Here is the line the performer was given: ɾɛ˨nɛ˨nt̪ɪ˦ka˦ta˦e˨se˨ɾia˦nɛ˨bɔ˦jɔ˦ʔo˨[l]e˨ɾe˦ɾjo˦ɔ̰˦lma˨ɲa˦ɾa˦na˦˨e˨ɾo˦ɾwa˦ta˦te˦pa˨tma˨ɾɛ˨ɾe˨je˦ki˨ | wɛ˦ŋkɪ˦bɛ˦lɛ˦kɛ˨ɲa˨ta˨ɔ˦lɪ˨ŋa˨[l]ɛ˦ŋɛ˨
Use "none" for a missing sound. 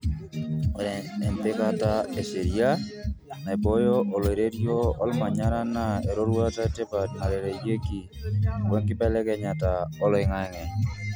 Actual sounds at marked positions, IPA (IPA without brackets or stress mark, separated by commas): l, none